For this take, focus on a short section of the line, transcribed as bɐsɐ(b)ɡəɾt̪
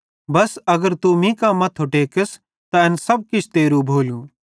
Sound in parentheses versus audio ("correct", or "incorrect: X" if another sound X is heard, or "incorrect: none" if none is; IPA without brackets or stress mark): incorrect: none